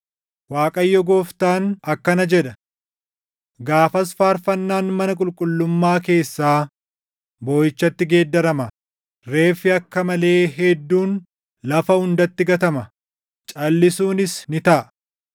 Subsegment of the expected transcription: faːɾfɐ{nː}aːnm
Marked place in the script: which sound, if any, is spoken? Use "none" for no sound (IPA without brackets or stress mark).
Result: nː